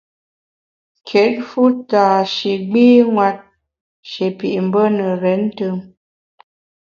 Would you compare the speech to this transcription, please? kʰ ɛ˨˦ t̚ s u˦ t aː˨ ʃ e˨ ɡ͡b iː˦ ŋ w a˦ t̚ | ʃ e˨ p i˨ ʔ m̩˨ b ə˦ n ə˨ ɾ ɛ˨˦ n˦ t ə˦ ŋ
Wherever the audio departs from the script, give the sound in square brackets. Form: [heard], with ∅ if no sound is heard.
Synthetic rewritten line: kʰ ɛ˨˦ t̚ [f] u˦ t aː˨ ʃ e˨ ɡ͡b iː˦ ŋ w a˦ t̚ | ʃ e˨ p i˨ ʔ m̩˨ b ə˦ n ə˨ ɾ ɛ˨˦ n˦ t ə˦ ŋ

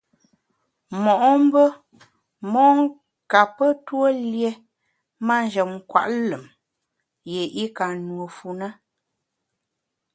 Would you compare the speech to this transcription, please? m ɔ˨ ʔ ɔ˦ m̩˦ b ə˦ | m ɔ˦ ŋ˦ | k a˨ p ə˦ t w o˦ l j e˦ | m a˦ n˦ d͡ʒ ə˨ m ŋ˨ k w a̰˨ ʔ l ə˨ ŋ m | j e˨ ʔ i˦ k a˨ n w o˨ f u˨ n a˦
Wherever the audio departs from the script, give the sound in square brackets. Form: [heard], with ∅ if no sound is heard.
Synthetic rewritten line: m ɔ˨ ʔ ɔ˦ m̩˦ b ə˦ | m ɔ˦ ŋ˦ | k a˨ p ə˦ t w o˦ l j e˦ | m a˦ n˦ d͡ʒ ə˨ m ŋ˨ k w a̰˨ ʔ l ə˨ [∅] m | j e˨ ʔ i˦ k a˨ n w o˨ f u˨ n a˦

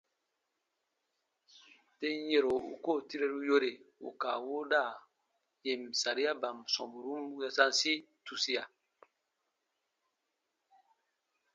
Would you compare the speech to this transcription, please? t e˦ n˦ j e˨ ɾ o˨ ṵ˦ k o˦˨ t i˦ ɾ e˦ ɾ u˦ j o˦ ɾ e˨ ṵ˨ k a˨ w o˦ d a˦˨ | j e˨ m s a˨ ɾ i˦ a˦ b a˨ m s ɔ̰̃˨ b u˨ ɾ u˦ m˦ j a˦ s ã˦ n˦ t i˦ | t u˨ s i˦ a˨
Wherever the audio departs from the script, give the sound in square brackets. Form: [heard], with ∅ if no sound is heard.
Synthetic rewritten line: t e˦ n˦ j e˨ ɾ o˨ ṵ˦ k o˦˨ t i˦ ɾ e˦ ɾ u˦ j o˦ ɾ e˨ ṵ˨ k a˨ w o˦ d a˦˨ | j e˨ m s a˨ ɾ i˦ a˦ b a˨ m s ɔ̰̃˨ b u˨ ɾ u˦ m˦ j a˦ s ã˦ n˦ [s] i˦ | t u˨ s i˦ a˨

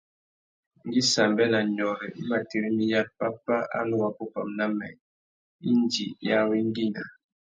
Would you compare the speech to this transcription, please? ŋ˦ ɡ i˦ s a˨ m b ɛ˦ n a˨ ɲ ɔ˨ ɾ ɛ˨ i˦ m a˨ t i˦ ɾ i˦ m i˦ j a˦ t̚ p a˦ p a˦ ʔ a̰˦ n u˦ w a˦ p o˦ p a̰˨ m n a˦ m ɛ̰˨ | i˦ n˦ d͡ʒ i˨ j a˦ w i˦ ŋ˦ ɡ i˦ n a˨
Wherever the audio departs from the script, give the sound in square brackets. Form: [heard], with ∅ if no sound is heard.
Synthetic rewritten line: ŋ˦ ɡ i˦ s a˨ m b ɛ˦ n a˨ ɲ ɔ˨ ɾ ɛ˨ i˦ m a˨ t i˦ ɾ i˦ m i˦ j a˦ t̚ p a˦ p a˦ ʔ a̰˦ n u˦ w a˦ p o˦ p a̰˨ m n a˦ m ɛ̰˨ | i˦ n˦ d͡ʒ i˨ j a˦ w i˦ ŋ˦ ɡ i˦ n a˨

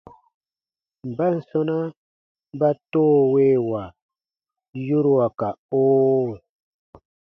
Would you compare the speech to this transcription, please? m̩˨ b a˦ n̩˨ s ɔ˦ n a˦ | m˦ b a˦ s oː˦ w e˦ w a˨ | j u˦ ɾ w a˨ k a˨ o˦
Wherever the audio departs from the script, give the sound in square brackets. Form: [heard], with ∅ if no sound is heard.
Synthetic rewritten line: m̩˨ b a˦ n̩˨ s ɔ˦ n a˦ | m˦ b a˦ [t] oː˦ w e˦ w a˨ | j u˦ ɾ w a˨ k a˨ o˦

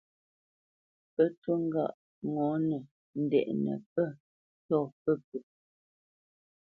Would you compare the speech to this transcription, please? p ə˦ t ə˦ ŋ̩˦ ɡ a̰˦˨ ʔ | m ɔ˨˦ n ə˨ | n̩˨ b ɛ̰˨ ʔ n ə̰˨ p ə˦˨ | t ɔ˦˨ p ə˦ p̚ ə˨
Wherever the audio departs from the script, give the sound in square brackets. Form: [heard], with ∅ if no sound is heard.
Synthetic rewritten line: p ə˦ t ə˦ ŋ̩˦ ɡ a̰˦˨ ʔ | [ŋ] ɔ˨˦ n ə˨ | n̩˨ [d] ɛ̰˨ ʔ n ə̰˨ p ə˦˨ | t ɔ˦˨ p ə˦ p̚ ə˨

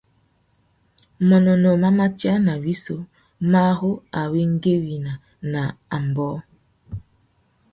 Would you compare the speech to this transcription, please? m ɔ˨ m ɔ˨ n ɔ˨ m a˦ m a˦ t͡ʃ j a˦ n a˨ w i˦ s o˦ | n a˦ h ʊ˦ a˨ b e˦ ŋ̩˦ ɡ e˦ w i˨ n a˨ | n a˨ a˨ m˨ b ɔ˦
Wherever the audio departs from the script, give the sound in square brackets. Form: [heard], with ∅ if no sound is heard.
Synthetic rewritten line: m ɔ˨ [n] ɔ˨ n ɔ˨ m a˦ m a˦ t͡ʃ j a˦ n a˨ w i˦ s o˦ | [m] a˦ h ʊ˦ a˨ [w] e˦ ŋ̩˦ ɡ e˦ w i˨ n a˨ | n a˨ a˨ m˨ b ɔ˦

